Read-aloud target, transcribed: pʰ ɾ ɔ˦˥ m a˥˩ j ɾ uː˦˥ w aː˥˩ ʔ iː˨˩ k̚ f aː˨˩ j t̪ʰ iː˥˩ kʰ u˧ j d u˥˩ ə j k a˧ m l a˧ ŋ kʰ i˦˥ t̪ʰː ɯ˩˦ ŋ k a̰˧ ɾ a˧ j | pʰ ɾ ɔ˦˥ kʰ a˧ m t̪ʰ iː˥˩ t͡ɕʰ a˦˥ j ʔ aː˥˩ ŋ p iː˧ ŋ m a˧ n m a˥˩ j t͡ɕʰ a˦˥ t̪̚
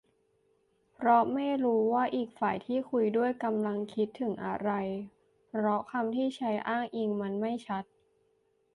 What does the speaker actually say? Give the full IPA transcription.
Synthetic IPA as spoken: pʰ ɾ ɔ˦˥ m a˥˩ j ɾ uː˦˥ w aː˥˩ ʔ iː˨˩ k̚ f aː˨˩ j t̪ʰ iː˥˩ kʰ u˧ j d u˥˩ ə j k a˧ m l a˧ ŋ kʰ i˦˥ t̪ʰː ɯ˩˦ ŋ ʔ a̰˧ ɾ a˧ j | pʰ ɾ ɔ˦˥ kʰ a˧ m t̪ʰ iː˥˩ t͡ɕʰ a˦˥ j ʔ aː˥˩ ŋ ʔ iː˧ ŋ m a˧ n m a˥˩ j t͡ɕʰ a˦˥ t̪̚